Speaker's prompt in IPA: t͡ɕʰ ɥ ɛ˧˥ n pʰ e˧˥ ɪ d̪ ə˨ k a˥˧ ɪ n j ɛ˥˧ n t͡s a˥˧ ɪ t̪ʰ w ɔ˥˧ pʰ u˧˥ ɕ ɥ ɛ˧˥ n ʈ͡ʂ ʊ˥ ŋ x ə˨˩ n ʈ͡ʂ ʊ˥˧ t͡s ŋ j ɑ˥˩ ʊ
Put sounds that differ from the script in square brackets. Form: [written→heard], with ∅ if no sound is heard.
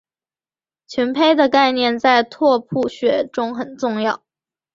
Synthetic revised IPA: t͡ɕʰ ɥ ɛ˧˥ n pʰ [e˧˥→e˥] ɪ d̪ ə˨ k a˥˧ ɪ n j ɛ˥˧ n t͡s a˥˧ ɪ t̪ʰ w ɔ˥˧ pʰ [u˧˥→u˥˩] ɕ ɥ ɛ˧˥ [n→∅] ʈ͡ʂ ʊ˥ ŋ x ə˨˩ n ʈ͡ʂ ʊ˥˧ [t͡s→∅] ŋ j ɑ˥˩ ʊ